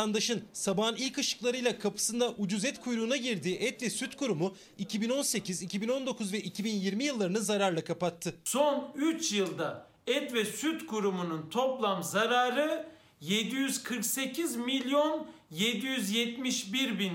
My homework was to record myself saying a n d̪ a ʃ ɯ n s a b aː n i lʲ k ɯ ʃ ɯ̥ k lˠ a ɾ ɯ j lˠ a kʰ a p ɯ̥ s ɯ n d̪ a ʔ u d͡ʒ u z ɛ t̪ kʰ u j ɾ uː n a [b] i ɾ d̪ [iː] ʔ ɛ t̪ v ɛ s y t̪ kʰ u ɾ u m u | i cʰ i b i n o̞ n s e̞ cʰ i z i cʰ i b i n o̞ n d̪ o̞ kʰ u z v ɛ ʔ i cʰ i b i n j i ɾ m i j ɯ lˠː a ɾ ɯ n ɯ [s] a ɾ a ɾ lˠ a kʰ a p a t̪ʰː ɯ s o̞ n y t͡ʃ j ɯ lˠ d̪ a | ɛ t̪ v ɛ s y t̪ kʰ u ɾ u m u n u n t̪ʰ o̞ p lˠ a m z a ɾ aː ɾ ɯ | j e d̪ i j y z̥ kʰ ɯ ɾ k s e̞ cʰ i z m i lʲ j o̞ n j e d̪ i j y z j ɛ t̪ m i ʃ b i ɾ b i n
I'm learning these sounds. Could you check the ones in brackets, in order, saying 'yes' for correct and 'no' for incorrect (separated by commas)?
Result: no, yes, no